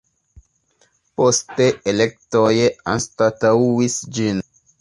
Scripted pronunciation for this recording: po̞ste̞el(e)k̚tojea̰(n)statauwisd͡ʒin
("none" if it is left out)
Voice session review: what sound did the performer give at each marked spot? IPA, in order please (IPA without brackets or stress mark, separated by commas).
e, n